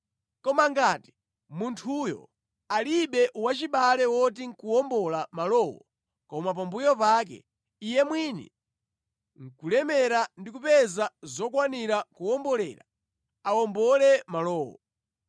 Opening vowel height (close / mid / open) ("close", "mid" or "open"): mid